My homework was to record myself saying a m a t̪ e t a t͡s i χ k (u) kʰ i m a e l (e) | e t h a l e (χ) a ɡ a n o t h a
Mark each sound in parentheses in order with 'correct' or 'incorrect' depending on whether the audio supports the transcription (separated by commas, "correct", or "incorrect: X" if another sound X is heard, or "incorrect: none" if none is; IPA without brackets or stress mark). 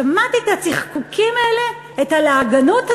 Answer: correct, correct, incorrect: none